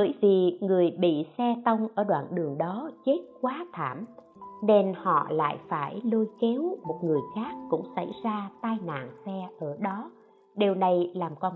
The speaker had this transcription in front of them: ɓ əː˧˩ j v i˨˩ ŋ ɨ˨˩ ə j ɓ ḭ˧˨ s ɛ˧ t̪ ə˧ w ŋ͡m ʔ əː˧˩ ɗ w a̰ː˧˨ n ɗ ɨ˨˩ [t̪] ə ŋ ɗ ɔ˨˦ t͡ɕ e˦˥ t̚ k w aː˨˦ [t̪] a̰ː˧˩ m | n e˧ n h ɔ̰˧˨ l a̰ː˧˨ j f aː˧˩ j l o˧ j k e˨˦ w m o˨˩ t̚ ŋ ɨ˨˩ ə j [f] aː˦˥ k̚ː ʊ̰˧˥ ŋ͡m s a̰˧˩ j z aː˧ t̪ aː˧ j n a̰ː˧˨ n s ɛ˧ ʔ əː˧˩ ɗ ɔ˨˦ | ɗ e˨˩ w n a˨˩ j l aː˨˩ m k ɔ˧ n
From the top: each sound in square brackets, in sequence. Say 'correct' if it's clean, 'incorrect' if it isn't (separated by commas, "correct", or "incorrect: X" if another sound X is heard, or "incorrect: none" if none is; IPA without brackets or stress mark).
incorrect: none, incorrect: t̪ʰ, incorrect: x